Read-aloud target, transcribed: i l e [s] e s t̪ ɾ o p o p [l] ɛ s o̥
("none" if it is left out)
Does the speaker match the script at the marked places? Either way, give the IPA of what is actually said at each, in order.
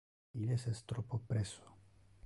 s, ɾ

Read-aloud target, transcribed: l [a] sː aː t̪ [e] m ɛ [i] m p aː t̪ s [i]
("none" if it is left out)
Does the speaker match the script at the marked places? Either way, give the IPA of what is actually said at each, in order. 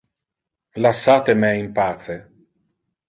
a, e, i, e

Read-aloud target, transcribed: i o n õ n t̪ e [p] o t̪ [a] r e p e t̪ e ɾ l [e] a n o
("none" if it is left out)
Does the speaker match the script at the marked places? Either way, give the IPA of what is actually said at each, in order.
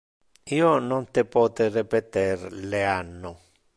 p, e, e

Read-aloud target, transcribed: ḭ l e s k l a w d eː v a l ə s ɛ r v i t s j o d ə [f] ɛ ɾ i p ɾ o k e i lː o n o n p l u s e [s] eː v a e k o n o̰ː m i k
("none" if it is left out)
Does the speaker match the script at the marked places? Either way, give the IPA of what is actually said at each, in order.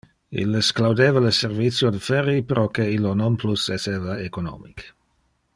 f, s

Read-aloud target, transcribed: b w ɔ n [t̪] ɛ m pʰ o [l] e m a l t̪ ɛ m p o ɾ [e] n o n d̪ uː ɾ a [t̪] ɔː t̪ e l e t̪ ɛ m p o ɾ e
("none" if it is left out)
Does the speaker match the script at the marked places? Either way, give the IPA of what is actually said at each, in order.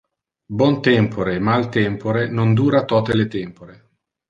t̪, ɾ, e, t̪

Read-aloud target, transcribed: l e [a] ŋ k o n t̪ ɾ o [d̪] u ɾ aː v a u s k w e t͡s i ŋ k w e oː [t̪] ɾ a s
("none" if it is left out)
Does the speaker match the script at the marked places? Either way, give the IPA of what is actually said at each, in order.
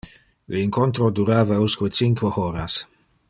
i, d̪, none

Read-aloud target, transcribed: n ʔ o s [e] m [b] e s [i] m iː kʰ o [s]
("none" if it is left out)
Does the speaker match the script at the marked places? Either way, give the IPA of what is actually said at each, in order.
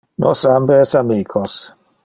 a, b, a, s

